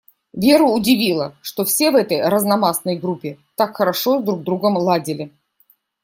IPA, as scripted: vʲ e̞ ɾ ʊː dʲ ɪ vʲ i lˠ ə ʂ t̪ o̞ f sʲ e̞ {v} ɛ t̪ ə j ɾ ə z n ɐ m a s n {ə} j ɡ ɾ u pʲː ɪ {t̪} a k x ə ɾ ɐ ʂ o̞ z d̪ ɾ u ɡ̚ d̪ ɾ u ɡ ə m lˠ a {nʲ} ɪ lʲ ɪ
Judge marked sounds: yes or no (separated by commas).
yes, yes, yes, no